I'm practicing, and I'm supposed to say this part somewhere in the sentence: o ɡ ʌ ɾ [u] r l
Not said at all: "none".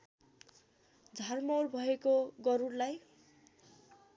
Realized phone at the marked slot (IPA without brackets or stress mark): u